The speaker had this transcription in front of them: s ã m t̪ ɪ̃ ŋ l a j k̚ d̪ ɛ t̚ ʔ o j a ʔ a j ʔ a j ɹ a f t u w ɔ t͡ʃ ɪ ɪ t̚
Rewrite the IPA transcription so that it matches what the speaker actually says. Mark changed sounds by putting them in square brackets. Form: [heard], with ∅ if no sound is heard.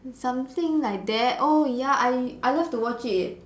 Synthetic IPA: s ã m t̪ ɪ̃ ŋ l a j k̚ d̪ ɛ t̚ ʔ o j a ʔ a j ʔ a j [l] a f t u w ɔ t͡ʃ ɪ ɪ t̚